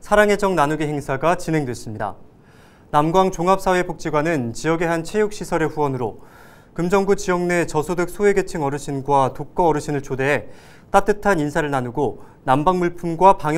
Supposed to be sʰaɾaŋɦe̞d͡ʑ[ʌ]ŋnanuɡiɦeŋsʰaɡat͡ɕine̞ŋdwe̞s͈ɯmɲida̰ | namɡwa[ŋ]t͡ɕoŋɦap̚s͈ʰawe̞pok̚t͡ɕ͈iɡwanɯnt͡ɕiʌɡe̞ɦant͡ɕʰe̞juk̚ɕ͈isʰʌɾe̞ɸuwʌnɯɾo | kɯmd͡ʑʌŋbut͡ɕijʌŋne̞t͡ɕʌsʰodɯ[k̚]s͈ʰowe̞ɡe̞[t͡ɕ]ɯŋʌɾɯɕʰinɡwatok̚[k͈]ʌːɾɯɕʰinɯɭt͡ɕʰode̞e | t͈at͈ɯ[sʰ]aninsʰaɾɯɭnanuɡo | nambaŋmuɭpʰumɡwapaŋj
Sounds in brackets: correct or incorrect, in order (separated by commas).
correct, correct, correct, incorrect, correct, incorrect